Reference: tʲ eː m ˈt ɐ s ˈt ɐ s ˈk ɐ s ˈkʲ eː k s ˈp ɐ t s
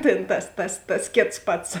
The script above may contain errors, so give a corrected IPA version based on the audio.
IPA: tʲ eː n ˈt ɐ s ˈt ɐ s ˈt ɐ s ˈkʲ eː t s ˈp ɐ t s

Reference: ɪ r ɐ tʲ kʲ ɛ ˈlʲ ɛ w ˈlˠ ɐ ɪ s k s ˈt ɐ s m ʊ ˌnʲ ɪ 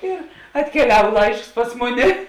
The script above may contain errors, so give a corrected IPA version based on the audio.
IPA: ɪ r ɐ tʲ kʲ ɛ ˈlʲ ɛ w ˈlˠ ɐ ɪ ʃ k s ˈp ɐ s m ʊ ˌnʲ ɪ

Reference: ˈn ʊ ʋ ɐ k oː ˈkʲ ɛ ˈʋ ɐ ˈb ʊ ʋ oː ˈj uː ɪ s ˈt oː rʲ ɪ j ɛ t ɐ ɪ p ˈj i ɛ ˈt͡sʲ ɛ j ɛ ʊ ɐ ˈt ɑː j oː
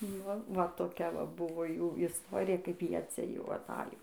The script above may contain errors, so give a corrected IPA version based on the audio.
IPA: ˈn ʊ ʋ ɐ t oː ˈkʲ ɛ ˈʋ ɐ ˈb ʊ ʋ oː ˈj uː ɪ s ˈt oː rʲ ɪ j ɛ k ɐ ɪ p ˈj i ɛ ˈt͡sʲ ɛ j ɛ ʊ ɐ ˈt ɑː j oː

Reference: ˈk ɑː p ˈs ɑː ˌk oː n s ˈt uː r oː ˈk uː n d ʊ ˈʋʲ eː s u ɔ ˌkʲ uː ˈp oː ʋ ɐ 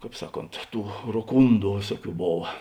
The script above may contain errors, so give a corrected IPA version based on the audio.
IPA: ˈk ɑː p ˈs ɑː ˌk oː n t ˈt uː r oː ˈk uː n d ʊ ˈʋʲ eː s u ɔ ˌkʲ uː ˈb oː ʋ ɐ

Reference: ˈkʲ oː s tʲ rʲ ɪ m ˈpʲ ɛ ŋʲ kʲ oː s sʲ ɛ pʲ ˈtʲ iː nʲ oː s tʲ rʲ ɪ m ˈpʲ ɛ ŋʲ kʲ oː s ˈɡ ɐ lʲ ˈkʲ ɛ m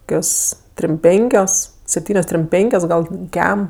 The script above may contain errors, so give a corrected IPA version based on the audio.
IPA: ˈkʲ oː s tʲ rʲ ɪ m ˈpʲ ɛ ŋʲ kʲ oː s sʲ ɛ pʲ ˈtʲ iː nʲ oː s tʲ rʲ ɪ m ˈpʲ ɛ ŋʲ kʲ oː s ˈɡ ɐ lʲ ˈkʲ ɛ m

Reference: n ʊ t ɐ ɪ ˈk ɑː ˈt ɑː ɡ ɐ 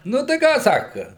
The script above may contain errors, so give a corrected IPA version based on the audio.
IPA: n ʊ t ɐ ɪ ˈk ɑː ˈs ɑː k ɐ

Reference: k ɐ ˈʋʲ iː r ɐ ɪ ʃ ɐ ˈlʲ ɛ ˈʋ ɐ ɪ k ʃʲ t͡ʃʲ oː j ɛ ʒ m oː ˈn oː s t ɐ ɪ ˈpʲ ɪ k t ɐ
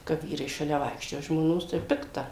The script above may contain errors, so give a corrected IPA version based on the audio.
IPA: k ɐ ˈʋʲ iː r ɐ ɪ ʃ ɐ ˈlʲ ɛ ˈʋ ɐ ɪ k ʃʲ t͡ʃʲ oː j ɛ ʒ m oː ˈn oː s t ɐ ɪ ˈpʲ ɪ k t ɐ

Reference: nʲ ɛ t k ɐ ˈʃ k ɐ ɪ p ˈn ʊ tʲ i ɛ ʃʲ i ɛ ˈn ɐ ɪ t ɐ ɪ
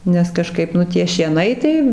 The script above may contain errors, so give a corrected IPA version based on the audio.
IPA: nʲ ɛ s k ɐ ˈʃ k ɐ ɪ p ˈn ʊ tʲ i ɛ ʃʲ i ɛ ˈn ɐ ɪ t ɐ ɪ

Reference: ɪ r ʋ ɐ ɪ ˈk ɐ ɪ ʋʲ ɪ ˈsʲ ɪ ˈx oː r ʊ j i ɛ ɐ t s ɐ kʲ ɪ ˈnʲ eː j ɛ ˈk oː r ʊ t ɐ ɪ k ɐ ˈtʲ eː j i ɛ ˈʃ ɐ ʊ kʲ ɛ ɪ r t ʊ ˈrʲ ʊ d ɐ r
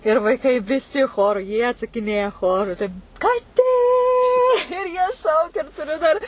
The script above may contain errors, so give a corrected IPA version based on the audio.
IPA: ɪ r ʋ ɐ ɪ ˈk ɐ ɪ ʋʲ ɪ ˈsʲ ɪ ˈx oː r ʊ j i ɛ ɐ t s ɐ kʲ ɪ ˈnʲ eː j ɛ ˈx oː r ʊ t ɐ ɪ k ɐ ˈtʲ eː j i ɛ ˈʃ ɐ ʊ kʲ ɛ ɪ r t ʊ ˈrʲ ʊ d ɐ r

